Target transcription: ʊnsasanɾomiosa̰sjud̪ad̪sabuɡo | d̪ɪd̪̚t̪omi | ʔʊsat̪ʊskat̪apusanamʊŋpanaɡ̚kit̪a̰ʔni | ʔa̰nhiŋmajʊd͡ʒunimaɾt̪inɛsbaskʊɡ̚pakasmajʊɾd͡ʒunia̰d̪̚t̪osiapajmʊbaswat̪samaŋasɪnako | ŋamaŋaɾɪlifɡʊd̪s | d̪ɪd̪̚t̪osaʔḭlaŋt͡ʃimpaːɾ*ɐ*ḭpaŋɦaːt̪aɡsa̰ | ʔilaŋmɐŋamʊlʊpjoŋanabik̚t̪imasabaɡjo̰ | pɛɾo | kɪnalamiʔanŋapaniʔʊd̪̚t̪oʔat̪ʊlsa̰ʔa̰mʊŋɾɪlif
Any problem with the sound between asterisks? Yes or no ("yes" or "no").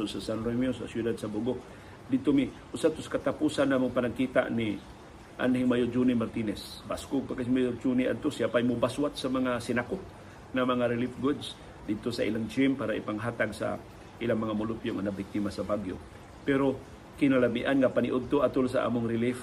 yes